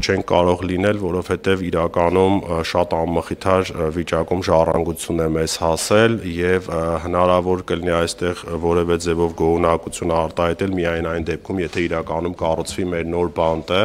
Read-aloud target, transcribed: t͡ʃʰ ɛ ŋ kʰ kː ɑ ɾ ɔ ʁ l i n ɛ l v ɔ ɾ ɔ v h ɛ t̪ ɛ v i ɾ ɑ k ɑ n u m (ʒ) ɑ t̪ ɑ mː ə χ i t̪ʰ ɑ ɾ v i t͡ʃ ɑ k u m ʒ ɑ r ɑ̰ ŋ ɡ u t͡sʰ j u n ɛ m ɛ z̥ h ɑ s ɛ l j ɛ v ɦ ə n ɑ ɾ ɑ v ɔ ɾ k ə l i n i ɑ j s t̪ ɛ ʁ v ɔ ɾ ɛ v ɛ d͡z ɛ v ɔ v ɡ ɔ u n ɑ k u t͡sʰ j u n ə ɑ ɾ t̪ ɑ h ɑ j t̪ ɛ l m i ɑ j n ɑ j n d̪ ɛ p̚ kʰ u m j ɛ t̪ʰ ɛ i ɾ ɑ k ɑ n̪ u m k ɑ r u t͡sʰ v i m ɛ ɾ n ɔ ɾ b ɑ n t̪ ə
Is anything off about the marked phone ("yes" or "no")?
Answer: yes